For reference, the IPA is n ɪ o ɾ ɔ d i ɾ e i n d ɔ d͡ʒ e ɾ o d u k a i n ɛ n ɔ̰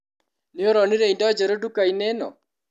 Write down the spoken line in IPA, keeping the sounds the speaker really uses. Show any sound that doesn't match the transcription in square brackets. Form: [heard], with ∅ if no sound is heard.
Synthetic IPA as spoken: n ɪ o ɾ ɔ [n] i ɾ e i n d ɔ d͡ʒ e ɾ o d u k a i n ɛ n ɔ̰